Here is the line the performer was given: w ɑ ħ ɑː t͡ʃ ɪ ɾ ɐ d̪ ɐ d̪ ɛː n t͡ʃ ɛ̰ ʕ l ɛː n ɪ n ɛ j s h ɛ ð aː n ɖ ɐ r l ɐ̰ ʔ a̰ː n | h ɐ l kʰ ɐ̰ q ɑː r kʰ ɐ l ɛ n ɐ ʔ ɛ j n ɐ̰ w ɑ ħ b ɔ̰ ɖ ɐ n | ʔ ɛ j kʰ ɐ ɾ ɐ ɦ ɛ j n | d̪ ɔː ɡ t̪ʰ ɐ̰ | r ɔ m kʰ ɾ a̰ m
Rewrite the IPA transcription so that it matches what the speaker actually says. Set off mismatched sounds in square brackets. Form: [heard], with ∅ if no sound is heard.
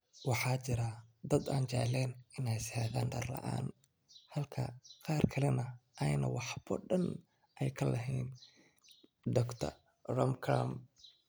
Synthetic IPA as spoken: w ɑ ħ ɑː t͡ʃ ɪ ɾ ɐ d̪ ɐ d̪ [aː] n t͡ʃ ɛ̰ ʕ l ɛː n ɪ n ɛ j s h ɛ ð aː n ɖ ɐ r l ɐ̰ ʔ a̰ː n | h ɐ l kʰ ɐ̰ q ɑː r kʰ ɐ l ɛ n ɐ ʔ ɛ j n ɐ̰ w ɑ ħ b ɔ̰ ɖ ɐ n | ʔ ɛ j kʰ ɐ [l] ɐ ɦ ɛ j n | d̪ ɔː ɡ t̪ʰ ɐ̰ | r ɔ m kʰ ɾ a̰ m